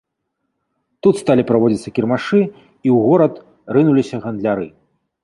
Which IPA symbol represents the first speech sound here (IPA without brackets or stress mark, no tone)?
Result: t̪